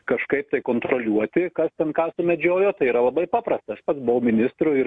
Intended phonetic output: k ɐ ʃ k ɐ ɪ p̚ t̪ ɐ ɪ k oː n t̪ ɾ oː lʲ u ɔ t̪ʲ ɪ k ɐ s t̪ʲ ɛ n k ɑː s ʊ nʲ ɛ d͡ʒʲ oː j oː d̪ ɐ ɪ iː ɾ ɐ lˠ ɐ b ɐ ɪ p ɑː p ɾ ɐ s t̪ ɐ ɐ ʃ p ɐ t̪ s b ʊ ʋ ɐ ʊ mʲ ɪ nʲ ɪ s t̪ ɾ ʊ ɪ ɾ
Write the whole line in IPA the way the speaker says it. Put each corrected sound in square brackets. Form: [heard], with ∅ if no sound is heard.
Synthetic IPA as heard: k ɐ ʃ k ɐ ɪ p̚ t̪ ɐ ɪ k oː n t̪ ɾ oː lʲ u ɔ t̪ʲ ɪ k ɐ s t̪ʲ ɛ n k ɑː s ʊ [mʲ] ɛ d͡ʒʲ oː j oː [t̪] ɐ ɪ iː ɾ ɐ lˠ ɐ b ɐ ɪ p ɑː p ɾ ɐ s t̪ ɐ ɐ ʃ p ɐ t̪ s b ʊ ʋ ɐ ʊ mʲ ɪ nʲ ɪ s t̪ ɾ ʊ ɪ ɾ

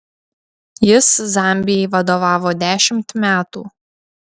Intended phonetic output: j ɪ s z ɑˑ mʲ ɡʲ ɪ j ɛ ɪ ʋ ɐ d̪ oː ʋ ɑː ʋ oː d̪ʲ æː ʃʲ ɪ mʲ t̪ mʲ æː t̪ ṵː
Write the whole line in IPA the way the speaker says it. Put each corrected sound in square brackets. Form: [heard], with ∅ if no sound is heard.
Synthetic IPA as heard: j ɪ s z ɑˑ mʲ [bʲ] ɪ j ɛ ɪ ʋ ɐ d̪ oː ʋ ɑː ʋ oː d̪ʲ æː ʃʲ ɪ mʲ t̪ mʲ æː t̪ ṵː

